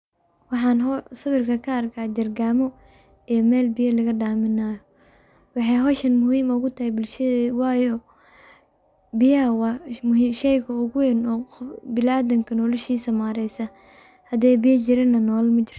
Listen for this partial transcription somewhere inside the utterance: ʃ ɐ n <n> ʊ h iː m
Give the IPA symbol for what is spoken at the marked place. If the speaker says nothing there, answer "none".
m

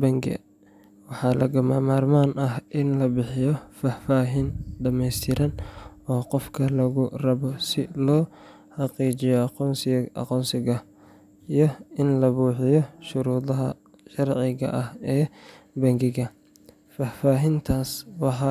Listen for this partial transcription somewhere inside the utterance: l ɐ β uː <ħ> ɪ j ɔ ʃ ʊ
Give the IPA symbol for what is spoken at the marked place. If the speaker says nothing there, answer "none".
ħ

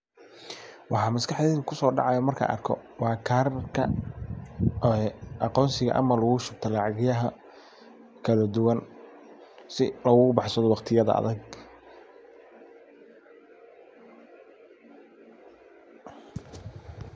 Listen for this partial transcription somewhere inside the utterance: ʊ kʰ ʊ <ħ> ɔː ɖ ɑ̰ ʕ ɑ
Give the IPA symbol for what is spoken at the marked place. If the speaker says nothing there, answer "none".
s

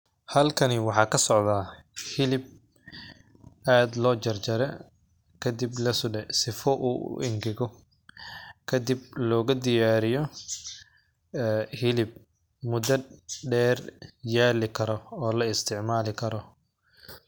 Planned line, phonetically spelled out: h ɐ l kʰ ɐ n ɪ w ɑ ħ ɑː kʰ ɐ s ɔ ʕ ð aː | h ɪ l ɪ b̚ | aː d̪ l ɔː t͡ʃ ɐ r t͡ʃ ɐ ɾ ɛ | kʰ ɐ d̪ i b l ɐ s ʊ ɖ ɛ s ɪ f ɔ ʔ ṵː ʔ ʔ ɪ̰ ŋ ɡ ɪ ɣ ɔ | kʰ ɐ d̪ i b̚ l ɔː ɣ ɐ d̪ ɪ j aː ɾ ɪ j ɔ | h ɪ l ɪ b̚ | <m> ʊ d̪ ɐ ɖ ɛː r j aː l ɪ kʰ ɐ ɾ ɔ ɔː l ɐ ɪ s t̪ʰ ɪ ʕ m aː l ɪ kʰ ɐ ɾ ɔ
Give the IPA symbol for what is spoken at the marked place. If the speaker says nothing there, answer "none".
m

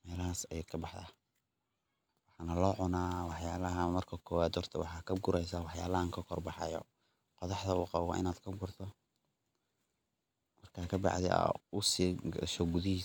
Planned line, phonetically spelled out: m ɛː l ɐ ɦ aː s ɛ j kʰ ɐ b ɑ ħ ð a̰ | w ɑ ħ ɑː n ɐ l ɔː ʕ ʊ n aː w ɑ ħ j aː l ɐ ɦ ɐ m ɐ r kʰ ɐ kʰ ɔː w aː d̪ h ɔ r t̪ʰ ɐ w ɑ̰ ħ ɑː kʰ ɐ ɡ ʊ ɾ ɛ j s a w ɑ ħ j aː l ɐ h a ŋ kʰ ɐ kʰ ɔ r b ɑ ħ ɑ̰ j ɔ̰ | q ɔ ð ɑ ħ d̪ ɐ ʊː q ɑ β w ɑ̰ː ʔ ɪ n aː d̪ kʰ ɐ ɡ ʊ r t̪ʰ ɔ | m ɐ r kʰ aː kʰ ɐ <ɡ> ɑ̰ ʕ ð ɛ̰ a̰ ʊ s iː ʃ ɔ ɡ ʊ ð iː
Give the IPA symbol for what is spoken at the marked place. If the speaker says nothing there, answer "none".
b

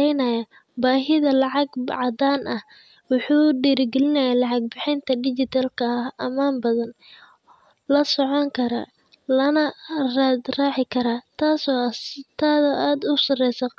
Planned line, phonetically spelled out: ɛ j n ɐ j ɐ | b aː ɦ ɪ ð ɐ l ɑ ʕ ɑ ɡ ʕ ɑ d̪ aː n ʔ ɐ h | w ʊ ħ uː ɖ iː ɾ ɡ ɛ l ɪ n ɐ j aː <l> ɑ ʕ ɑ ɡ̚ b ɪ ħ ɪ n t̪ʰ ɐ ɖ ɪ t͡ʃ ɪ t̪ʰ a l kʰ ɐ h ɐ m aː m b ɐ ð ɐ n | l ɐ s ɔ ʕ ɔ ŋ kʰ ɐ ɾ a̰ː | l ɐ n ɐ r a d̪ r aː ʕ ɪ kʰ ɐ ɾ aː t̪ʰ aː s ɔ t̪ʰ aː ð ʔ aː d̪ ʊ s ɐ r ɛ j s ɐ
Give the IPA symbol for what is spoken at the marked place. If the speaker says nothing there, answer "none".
l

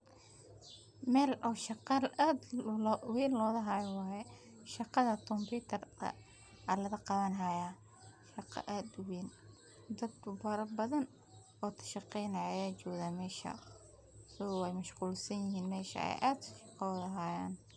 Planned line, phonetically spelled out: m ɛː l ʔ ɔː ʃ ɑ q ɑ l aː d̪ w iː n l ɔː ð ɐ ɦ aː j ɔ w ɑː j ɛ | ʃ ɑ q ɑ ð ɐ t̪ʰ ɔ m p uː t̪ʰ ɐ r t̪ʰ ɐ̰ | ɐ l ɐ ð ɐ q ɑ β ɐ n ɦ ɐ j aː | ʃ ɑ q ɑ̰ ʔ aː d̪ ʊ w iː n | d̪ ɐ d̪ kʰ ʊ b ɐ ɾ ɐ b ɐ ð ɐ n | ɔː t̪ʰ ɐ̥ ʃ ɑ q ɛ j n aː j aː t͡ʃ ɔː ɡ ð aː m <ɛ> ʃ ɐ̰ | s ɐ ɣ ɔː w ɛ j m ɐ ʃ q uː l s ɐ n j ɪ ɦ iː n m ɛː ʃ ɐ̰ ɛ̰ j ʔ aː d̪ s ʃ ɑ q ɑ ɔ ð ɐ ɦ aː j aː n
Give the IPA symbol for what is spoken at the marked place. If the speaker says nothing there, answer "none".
ɛː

